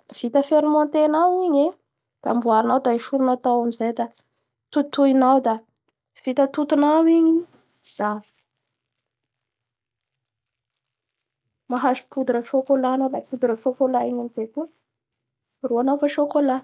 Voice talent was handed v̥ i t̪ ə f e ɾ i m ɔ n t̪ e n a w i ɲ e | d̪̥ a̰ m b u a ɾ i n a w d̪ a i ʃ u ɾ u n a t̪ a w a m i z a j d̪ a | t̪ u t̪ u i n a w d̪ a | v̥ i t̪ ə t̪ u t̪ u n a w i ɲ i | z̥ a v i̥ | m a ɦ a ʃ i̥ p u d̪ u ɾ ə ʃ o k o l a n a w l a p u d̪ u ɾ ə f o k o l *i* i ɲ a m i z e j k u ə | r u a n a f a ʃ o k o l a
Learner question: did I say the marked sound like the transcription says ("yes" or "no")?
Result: no